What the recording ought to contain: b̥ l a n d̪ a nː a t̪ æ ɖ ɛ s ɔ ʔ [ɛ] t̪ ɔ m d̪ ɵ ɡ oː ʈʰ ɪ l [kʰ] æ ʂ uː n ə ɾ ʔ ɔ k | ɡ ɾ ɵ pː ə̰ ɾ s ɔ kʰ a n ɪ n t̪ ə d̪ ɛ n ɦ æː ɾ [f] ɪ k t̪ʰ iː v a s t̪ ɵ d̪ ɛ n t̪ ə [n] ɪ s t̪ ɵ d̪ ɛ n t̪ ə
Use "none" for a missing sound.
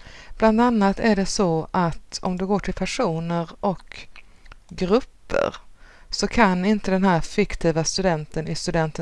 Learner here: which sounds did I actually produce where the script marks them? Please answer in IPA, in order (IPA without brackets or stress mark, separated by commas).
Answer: a, pʰ, f, n